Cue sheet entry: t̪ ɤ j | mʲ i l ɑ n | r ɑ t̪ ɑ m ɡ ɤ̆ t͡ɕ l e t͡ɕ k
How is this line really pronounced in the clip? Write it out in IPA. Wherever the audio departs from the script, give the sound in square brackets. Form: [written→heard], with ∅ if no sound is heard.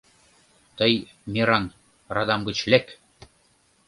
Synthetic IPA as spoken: t̪ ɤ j | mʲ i [l→ɾ] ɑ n | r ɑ [t̪→d̪] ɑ m ɡ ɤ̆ t͡ɕ l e [t͡ɕ→∅] k